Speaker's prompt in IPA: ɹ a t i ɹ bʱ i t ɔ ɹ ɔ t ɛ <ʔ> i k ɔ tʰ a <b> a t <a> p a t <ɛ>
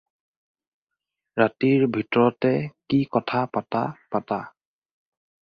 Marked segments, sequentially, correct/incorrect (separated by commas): incorrect, incorrect, correct, incorrect